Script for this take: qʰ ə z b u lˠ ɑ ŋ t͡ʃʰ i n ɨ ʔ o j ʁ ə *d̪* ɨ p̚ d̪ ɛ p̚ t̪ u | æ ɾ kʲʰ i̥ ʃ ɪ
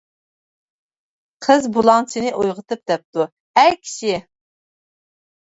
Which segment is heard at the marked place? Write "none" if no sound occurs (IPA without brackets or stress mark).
t̪